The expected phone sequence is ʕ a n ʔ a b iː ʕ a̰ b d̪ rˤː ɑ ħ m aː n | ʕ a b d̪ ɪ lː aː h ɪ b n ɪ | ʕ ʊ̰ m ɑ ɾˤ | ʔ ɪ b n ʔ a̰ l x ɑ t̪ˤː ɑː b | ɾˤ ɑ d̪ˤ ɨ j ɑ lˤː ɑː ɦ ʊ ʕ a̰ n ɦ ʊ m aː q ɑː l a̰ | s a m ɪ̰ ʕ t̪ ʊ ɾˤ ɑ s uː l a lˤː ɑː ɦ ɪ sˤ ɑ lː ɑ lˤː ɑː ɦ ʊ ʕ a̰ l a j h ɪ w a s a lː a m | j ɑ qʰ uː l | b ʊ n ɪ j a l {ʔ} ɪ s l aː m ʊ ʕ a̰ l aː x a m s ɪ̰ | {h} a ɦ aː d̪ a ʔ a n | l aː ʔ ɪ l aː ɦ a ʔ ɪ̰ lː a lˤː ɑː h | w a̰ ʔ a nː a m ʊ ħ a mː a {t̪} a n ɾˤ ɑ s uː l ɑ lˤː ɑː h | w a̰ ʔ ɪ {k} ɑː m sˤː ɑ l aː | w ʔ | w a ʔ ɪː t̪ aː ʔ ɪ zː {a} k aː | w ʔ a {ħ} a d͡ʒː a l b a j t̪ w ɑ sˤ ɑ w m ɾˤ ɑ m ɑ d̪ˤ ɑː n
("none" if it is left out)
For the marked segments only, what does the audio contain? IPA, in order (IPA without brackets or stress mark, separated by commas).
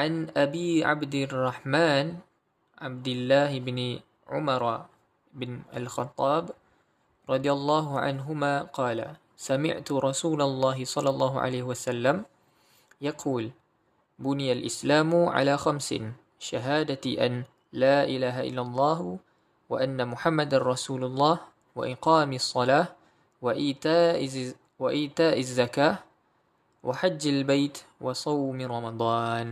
ʔ, ʃ, d̪, q, a, ħ